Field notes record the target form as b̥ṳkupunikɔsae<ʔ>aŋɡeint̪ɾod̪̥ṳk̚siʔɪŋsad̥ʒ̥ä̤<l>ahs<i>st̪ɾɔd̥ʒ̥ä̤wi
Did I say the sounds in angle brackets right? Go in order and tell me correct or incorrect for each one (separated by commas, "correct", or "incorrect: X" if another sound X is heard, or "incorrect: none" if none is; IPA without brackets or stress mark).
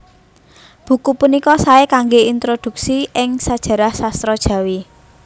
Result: incorrect: k, incorrect: ɾ, incorrect: a